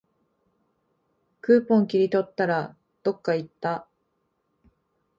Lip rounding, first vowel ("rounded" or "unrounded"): unrounded